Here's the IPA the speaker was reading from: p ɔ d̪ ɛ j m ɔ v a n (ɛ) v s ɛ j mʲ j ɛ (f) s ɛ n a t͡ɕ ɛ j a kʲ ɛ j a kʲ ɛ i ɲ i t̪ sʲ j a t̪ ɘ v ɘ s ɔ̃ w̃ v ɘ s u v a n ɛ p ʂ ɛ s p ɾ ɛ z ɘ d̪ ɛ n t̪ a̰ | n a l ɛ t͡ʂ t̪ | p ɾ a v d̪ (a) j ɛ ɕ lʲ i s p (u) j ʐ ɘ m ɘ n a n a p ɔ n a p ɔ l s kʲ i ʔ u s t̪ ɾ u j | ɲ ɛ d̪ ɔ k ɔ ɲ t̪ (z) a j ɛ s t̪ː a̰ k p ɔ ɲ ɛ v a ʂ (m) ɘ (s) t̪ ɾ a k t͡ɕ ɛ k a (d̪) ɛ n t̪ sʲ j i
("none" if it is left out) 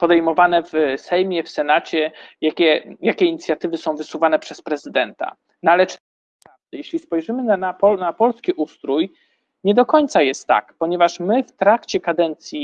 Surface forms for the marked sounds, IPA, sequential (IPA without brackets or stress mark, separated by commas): ɛ, f, ɛ, ɔ, s, m, f, d̪